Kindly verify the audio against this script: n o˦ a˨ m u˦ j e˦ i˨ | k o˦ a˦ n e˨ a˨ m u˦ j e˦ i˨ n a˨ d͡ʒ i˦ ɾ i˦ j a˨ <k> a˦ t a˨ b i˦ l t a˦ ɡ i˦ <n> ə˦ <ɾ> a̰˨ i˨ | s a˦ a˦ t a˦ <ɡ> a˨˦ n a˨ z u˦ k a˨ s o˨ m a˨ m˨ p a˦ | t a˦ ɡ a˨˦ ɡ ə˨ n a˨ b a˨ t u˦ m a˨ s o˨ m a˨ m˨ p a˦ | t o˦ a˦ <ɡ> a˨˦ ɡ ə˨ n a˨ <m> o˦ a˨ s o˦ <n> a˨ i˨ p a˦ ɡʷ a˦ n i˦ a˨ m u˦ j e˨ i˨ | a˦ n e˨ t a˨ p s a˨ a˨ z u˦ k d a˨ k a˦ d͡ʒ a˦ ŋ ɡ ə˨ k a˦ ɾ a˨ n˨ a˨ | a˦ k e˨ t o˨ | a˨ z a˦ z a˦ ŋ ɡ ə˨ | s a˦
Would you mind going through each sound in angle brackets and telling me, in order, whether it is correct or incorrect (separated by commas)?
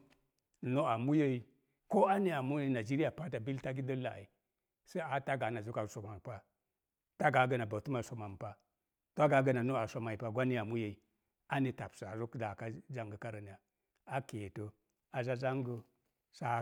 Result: incorrect, incorrect, incorrect, correct, correct, incorrect, incorrect